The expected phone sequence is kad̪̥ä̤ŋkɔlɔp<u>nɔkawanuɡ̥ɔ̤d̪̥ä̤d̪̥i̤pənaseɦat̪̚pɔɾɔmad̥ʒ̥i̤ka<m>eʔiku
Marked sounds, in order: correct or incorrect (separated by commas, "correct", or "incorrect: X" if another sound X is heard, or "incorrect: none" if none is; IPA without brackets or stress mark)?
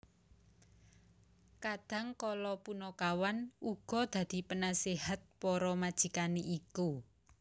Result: correct, incorrect: n